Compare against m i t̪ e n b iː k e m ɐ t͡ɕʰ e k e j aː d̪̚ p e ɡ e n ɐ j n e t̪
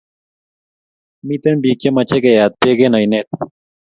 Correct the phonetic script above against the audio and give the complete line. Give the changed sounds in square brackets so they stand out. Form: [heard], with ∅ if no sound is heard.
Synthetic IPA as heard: m i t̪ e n b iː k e m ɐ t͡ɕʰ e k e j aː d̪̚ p e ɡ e n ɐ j n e t̪